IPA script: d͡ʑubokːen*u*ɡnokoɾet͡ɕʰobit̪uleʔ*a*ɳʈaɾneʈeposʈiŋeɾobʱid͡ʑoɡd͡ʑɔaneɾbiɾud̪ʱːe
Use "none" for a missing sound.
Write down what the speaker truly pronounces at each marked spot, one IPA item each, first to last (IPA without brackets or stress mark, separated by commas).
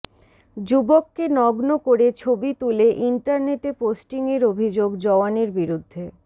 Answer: ɔ, i